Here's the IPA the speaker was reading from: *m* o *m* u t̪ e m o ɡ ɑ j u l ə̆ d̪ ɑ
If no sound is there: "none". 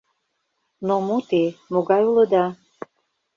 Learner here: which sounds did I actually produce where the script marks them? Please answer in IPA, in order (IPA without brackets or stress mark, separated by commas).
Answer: n, m